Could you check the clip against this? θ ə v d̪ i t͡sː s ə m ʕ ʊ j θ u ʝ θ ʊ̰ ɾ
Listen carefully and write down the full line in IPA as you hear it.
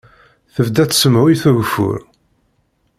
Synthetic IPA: θ ə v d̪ æ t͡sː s ə m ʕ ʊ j θ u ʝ f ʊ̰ ɾ